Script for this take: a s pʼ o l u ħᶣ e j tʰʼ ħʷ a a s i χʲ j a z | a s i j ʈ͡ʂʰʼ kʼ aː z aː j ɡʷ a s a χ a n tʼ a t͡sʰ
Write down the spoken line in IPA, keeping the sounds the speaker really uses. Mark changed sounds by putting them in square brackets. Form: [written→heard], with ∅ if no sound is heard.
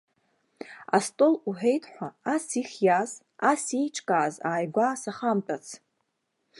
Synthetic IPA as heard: a s [pʼ→tʼ] o l u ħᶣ e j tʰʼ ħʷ a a s i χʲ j a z | a s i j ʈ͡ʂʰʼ kʼ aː z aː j ɡʷ a s a χ a [n→m] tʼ a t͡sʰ